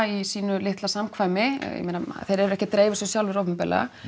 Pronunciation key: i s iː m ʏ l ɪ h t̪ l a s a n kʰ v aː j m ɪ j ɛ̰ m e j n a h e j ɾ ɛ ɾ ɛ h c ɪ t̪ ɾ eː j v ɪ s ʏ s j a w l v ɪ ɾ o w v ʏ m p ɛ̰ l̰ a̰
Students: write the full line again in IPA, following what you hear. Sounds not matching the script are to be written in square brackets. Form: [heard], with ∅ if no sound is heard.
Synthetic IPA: i s iː [n] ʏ l ɪ h t̪ l a s a [m] kʰ v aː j m ɪ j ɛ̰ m e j n a [θ] e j ɾ ɛ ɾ ɛ h c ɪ t̪ ɾ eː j v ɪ s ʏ s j a w l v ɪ ɾ o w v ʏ m p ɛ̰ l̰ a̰